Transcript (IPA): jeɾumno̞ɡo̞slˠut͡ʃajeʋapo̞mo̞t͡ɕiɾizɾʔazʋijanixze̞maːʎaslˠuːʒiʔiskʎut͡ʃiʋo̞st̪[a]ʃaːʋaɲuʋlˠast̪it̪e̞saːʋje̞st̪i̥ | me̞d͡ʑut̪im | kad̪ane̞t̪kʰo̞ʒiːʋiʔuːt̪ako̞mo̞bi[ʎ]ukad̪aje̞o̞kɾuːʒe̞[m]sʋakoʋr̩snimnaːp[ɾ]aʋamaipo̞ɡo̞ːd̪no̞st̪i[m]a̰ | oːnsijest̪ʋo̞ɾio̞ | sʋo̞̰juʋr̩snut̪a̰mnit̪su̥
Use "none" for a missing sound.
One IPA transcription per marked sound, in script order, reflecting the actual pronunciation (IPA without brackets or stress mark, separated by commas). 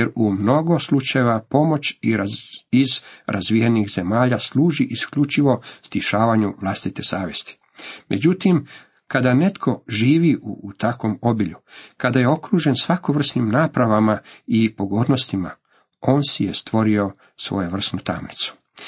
i, ʎ, n, ɾ, m